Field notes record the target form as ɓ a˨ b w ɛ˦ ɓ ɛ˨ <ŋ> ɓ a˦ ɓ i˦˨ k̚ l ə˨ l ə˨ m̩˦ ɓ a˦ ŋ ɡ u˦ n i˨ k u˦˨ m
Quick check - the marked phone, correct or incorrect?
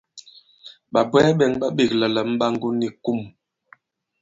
correct